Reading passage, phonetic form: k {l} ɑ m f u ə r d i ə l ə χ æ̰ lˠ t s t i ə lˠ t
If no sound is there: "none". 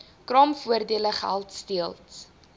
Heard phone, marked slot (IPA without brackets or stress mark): r